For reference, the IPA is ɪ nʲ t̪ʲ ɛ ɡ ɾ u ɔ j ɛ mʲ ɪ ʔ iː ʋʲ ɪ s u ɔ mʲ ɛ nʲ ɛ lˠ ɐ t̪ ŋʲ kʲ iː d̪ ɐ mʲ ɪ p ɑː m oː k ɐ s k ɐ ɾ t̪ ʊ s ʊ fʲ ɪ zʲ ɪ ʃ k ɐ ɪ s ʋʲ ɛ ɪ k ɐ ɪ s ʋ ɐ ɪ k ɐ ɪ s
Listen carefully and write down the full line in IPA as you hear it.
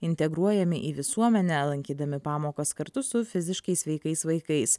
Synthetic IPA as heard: ɪ nʲ t̪ʲ ɛ ɡ ɾ u ɔ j ɛ mʲ ɪ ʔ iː ʋʲ ɪ s u ɔ mʲ ɛ nʲ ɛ lˠ ɐ ŋʲ kʲ iː d̪ ɐ mʲ ɪ p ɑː m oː k ɐ s k ɐ ɾ t̪ ʊ s ʊ fʲ ɪ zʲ ɪ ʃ k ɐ ɪ s ʋʲ ɛ ɪ k ɐ ɪ s ʋ ɐ ɪ k ɐ ɪ s